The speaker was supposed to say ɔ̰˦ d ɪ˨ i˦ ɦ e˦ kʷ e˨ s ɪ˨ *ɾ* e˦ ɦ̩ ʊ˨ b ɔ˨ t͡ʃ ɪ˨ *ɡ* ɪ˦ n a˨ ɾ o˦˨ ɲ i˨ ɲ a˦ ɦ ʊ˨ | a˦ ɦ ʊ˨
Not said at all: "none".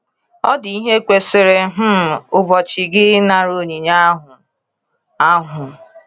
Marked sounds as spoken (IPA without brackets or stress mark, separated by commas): ɾ, ɡ